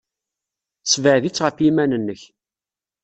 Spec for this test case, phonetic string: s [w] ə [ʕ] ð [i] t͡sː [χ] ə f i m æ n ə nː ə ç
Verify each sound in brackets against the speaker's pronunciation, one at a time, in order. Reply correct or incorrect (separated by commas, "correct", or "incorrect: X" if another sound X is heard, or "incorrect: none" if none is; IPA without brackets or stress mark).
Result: incorrect: v, correct, correct, incorrect: ʁ